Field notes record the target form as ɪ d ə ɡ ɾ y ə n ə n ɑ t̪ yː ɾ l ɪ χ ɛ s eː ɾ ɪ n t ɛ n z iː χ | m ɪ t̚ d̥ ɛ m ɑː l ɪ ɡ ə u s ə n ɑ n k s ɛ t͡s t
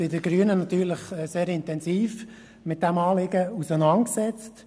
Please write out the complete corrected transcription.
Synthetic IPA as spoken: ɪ d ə ɡ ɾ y ə n ə n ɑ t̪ yː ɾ l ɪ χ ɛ s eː ɾ ɪ n t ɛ n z iː f | m ɪ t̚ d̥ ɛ m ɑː l ɪ ɡ ə u s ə n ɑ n k s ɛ t͡s t